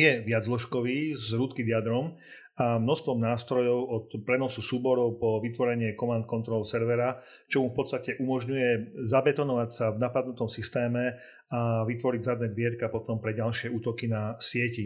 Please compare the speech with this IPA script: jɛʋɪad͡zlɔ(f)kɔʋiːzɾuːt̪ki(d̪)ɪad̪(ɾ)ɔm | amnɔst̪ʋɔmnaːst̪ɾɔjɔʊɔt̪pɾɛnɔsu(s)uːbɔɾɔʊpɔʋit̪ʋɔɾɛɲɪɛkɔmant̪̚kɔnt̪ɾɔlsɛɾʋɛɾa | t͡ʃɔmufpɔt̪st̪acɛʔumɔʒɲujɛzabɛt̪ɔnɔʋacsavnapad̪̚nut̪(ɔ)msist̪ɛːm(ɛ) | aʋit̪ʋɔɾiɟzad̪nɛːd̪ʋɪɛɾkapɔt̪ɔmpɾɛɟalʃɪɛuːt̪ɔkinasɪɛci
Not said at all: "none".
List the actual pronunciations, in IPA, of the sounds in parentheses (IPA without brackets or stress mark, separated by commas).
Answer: ʃ, d̪, ɾ, s, ɔ, ɛ